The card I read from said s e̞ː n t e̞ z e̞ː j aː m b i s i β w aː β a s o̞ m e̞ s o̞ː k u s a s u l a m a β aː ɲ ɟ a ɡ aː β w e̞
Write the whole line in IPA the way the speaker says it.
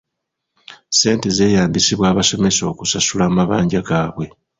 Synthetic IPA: s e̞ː n t e̞ z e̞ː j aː m b i s i β w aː β a s o̞ m e̞ s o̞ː k u s a s u l a m a β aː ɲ ɟ a ɡ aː β w e̞